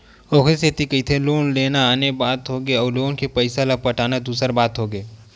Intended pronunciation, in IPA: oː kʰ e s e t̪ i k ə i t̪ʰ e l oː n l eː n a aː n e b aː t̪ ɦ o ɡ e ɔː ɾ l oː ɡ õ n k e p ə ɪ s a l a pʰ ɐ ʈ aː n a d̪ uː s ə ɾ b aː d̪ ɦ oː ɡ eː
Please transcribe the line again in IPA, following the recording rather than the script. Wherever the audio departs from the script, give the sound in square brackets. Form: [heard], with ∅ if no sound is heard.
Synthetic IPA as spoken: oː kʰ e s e t̪ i k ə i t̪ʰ e l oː n l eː n a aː n e b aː t̪ ɦ o ɡ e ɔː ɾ l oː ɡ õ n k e p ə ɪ s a l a [p] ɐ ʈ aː n a d̪ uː s ə ɾ b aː [t̪] ɦ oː ɡ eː